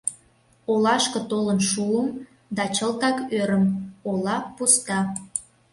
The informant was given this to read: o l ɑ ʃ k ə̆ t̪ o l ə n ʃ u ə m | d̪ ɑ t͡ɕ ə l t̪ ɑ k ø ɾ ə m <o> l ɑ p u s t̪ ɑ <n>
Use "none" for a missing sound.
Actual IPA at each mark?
o, none

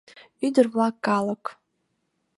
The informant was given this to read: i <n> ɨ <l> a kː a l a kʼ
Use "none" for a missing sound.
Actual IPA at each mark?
d, r

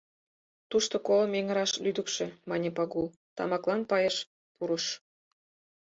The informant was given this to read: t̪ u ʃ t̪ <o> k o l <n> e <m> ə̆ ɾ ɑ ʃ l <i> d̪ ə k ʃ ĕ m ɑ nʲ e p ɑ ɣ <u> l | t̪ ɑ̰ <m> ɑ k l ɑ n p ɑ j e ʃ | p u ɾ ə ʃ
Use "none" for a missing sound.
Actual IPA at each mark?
o, m, ŋ, y, u, m

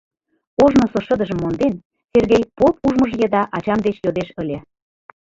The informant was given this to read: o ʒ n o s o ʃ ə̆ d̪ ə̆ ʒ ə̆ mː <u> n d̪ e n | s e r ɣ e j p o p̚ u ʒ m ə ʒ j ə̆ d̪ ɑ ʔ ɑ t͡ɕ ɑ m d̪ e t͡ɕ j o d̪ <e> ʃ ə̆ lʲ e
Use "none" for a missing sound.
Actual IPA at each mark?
o, e

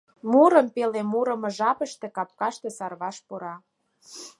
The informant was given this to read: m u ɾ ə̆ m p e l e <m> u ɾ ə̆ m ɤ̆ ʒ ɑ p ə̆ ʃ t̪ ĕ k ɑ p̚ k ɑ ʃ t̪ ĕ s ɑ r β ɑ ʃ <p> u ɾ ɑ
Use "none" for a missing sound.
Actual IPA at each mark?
m, p

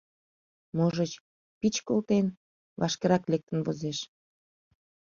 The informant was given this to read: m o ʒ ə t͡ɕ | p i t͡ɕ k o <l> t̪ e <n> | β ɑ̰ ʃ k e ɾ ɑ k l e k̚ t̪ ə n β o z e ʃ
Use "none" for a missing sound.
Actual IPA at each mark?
l, n

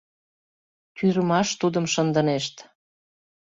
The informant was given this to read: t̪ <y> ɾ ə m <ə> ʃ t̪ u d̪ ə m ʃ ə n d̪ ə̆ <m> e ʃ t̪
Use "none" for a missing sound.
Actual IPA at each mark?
y, ɑ, n

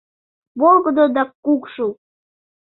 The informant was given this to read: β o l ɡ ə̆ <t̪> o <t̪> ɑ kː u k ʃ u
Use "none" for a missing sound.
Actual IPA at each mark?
d̪, d̪

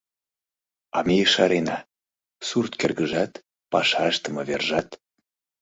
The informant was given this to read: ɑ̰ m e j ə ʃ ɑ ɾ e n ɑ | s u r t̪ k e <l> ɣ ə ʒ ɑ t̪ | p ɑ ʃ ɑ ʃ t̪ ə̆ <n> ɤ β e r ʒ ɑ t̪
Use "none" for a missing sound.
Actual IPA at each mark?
r, m

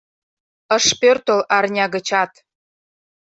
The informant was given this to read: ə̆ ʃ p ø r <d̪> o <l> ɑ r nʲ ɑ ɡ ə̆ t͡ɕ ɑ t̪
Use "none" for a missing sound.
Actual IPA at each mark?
t̪, l

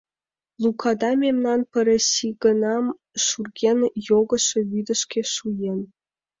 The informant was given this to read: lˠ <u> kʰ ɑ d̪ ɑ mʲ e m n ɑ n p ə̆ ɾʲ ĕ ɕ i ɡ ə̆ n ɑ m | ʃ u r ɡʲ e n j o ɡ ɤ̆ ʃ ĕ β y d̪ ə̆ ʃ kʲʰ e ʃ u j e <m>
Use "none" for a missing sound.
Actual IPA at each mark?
u, n

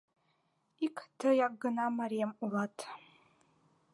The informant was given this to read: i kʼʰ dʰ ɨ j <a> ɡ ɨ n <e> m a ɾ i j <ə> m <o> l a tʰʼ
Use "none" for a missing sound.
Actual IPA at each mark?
a, a, a, u

